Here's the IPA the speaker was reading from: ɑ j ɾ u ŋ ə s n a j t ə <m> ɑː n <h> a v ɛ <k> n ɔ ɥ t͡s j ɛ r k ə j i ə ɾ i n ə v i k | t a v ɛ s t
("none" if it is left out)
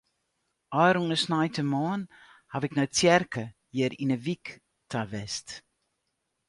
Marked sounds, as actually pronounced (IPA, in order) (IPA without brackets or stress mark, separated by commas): m, h, k